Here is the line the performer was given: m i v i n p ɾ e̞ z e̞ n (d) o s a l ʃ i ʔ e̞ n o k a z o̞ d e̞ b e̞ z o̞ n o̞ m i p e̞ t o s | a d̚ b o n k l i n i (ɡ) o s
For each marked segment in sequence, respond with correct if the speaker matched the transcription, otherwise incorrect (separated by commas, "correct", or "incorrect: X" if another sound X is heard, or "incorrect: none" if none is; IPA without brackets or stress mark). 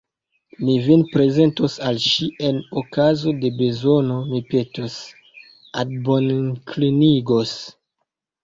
incorrect: t, correct